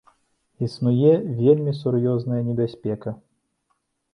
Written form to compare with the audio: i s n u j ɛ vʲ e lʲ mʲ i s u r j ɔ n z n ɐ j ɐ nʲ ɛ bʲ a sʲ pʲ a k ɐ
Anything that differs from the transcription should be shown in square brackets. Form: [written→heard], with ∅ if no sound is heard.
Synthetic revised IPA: i s n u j ɛ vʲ e lʲ mʲ i s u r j ɔ [n→∅] z n ɐ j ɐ nʲ ɛ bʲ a sʲ pʲ [a→ɛ] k ɐ